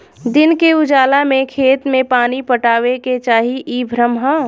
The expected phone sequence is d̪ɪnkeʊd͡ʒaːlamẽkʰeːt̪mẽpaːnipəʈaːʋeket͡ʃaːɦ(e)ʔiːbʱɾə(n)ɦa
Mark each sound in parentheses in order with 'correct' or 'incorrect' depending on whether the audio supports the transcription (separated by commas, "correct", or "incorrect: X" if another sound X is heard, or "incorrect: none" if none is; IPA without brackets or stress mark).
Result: incorrect: i, incorrect: m